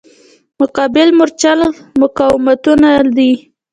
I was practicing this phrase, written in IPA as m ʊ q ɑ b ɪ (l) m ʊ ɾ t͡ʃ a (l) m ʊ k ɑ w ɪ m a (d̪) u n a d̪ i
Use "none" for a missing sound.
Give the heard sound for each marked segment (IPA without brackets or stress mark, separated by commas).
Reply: l, l, t̪